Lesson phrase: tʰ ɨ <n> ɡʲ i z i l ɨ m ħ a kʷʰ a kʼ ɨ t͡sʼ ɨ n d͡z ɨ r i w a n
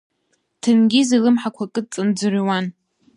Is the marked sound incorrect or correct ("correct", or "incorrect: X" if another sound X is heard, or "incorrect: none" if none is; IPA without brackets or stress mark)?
correct